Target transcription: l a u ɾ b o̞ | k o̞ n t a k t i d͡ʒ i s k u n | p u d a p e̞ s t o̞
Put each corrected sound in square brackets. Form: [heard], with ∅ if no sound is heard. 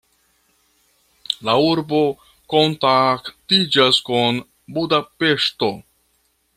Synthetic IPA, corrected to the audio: l a u ɾ b o̞ | k o̞ n t a k t i d͡ʒ [a] s k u n | [b] u d a p e̞ [ʃ] t o̞

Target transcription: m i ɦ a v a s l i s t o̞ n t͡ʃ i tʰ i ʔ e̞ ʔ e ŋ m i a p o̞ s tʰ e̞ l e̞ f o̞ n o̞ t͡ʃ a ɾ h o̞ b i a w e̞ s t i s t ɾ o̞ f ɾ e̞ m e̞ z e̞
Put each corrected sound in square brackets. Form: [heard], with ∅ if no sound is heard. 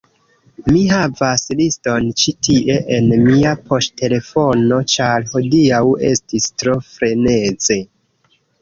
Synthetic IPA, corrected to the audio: m i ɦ a v a s l i s t o̞ n t͡ʃ i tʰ i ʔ e̞ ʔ e [n] m i a p o̞ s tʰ e̞ l e̞ f o̞ n o̞ t͡ʃ a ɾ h o̞ [d] i a w e̞ s t i s t ɾ o̞ f ɾ e̞ [n] e̞ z e̞

